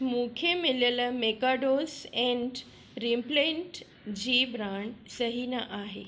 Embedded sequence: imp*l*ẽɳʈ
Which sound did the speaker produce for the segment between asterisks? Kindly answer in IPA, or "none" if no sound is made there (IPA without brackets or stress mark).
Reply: l